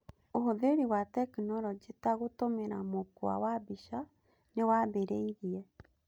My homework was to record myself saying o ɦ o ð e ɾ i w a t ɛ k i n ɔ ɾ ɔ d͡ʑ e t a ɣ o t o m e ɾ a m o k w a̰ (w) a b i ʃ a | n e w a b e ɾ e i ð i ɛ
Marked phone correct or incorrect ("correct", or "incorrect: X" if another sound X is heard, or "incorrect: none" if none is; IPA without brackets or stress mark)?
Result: correct